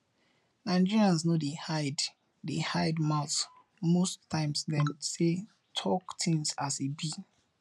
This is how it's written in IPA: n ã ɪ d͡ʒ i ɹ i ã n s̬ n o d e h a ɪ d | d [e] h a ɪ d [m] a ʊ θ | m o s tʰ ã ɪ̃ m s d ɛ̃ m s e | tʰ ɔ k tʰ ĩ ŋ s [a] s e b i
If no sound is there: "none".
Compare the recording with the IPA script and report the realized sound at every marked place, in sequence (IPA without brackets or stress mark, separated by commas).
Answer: e, m, a